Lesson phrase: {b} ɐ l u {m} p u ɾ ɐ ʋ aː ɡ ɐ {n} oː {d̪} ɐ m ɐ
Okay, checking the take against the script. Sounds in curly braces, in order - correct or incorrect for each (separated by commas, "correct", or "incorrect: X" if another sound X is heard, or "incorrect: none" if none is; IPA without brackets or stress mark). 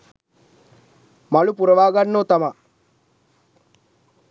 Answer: incorrect: m, incorrect: none, incorrect: nː, incorrect: t̪